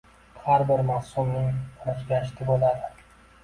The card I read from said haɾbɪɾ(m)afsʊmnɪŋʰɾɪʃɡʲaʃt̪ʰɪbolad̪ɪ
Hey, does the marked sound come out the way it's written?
yes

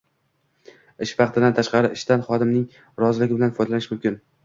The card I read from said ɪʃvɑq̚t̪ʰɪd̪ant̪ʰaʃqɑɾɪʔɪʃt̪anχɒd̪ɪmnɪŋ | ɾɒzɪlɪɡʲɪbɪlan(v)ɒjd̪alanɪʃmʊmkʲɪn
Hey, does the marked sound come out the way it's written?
no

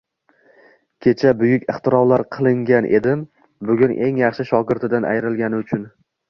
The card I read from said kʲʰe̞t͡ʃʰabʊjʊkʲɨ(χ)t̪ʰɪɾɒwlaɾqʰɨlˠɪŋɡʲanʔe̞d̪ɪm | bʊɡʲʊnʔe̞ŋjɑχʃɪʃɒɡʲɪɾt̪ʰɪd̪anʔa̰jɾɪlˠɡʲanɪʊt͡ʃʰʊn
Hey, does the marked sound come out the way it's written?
yes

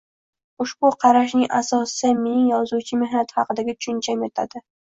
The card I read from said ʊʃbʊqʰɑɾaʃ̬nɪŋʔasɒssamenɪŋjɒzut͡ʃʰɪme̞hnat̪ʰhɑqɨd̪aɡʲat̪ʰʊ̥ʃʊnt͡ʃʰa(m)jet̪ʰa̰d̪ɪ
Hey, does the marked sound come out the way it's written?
yes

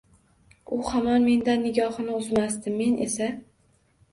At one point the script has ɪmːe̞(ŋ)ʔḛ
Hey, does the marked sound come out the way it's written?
no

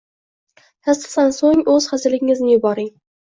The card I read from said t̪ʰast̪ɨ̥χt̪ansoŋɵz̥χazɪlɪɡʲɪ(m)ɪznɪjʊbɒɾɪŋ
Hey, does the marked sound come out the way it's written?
no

